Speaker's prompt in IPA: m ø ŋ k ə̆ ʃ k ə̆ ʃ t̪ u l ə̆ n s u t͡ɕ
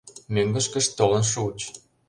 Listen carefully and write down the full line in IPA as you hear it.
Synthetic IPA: m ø ŋ ɡ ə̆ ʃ k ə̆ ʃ t̪ o l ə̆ n ʃ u t͡ɕ

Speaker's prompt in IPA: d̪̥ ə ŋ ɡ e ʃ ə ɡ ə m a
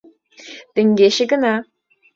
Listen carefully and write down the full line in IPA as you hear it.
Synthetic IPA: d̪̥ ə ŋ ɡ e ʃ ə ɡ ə n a

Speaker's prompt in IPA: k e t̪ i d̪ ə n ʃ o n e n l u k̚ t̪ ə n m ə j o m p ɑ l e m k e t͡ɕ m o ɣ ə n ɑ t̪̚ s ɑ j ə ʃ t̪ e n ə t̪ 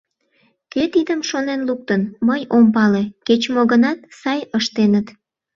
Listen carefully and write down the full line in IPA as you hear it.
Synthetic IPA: k e t̪ i d̪ ə m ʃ o n e n l u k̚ t̪ ə n m ə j o m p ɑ l e k e t͡ɕ m o ɣ ə n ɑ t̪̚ s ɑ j ə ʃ t̪ e n ə t̪

